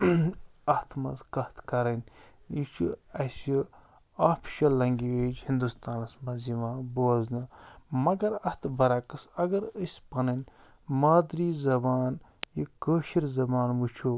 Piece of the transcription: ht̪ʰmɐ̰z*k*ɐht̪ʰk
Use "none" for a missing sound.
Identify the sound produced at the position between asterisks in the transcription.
k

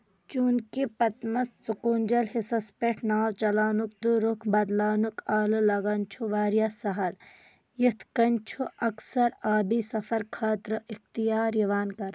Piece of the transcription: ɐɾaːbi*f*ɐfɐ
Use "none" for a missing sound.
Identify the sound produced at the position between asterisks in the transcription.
s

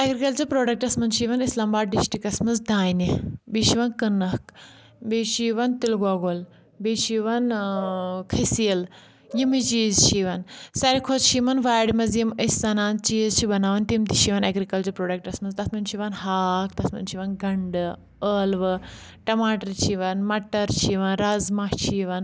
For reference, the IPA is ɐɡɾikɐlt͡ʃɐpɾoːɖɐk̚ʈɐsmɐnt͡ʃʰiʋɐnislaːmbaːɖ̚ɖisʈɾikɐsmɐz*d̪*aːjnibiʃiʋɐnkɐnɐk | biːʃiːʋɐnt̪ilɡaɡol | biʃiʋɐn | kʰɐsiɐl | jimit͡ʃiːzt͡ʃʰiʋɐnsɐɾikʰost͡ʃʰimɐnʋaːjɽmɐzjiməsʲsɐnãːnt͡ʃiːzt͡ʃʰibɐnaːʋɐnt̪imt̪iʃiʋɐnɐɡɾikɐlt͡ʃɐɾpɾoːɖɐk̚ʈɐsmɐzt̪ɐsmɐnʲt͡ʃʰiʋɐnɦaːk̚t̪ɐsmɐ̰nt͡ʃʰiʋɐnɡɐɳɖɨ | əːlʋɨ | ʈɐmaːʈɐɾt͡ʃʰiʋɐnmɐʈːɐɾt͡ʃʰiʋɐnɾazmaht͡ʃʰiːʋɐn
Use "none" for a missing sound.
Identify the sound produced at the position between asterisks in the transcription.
d̪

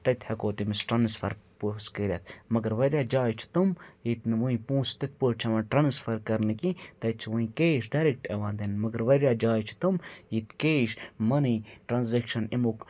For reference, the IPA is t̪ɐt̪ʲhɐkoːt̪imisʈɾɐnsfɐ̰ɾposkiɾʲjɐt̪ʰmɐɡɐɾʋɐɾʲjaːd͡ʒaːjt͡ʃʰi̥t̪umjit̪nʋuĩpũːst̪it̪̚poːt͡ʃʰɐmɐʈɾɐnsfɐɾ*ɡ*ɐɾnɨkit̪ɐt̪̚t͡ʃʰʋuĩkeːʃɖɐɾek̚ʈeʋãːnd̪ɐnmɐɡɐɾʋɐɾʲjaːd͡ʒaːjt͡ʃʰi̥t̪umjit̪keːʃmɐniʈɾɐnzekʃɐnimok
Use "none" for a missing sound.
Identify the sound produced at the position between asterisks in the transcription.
k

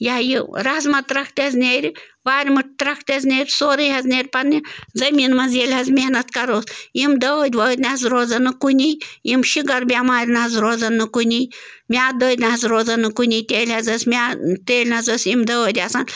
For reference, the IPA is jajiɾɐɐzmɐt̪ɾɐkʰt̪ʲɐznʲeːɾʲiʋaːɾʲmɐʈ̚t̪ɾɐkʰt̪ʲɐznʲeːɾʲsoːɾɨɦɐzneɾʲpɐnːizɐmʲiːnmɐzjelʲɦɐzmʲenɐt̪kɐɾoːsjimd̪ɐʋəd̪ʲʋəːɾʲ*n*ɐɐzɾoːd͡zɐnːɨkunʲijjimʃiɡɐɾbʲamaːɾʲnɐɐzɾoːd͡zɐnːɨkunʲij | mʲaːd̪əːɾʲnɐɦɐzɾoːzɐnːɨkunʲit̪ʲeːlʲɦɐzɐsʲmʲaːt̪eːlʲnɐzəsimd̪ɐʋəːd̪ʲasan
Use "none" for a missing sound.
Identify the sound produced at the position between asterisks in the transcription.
n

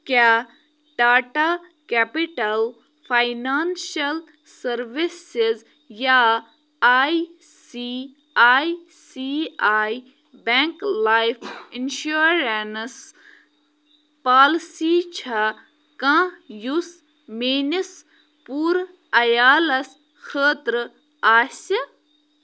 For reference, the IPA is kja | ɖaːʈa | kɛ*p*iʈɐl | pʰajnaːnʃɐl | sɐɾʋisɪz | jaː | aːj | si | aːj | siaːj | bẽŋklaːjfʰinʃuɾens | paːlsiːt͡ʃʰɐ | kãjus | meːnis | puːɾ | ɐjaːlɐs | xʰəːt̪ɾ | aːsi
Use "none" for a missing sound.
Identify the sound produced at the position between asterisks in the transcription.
p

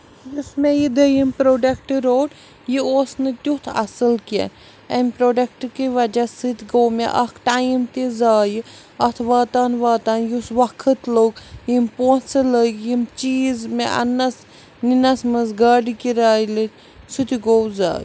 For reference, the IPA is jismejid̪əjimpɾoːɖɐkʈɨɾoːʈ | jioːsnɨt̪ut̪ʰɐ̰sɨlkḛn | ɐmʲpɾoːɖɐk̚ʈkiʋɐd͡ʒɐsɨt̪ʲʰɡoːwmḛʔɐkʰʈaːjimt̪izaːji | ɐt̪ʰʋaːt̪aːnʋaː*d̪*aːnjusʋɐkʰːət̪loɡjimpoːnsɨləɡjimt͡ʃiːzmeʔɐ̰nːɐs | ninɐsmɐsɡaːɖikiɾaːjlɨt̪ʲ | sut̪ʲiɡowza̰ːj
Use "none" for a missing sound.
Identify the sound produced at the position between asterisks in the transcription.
t̪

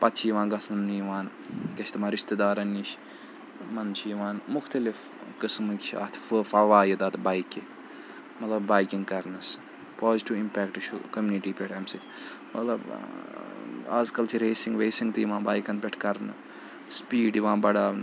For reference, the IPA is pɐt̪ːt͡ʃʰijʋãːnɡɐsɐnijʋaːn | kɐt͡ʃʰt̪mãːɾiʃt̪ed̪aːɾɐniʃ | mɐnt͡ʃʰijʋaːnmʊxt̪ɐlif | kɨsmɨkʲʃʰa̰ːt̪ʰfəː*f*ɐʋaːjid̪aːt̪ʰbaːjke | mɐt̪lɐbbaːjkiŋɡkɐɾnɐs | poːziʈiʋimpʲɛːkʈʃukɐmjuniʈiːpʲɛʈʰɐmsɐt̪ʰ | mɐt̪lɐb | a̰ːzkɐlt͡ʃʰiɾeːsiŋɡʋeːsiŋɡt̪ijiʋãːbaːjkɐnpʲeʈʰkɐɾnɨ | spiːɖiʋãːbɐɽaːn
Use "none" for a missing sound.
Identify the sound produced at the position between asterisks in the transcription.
f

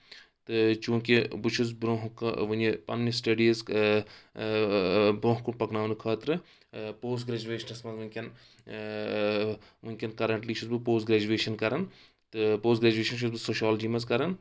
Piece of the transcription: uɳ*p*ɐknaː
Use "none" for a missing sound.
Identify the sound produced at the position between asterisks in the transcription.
p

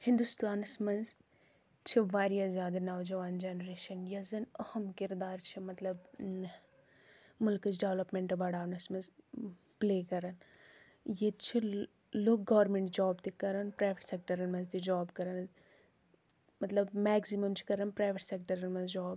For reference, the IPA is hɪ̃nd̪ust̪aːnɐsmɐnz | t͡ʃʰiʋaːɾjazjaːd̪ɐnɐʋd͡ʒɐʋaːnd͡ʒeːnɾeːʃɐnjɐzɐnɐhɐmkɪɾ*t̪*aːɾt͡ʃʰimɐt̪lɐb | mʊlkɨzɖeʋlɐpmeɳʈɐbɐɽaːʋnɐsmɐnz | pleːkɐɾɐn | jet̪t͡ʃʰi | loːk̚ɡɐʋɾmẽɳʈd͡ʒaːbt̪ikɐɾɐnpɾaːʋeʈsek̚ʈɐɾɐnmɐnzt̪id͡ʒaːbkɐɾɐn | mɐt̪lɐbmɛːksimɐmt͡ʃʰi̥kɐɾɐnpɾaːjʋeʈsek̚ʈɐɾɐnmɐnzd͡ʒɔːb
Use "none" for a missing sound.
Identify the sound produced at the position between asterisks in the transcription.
d̪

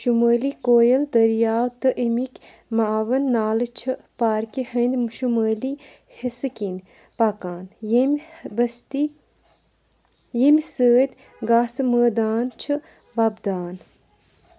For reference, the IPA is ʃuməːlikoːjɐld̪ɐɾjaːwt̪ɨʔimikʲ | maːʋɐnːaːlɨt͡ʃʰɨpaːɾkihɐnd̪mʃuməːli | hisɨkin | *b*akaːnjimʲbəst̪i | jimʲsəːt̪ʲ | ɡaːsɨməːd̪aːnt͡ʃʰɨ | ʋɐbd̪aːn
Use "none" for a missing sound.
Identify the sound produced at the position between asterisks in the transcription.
p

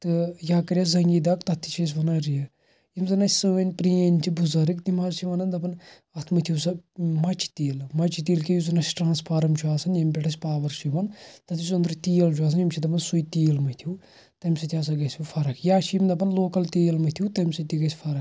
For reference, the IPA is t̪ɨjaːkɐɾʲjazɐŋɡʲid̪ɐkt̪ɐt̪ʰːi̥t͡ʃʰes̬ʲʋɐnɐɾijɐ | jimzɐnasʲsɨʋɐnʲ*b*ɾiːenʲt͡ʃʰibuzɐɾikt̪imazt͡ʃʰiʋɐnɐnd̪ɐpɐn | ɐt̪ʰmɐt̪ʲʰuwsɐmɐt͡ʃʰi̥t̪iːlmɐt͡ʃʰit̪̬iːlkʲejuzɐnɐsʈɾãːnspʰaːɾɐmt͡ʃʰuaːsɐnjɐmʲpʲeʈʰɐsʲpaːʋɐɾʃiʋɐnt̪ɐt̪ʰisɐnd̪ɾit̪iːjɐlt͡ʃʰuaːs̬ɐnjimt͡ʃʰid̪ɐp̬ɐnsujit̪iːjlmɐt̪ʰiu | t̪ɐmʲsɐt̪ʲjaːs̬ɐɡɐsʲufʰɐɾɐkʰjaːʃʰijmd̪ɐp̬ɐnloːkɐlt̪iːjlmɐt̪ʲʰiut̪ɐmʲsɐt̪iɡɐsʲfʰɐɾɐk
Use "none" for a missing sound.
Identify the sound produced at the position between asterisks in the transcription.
p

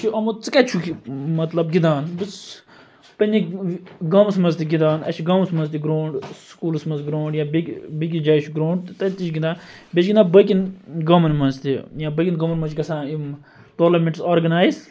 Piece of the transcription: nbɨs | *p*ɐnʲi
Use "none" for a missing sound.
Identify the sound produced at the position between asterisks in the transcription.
p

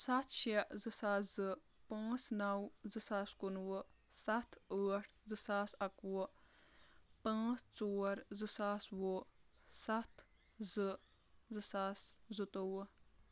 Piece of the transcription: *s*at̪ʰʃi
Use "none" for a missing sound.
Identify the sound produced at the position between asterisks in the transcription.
s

